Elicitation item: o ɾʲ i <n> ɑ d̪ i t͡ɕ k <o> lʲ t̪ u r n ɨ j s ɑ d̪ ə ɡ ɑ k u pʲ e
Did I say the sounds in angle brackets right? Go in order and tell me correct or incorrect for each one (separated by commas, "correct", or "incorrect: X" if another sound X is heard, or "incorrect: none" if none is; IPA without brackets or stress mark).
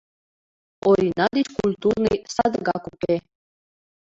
correct, incorrect: u